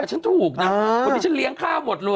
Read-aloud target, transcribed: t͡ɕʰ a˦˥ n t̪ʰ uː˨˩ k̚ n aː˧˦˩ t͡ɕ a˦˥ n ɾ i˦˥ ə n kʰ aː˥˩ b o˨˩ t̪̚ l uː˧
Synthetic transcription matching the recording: t͡ɕʰ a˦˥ n t̪ʰ uː˨˩ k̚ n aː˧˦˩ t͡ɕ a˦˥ n l i˦˥ ə ŋ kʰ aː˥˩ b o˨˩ t̪̚ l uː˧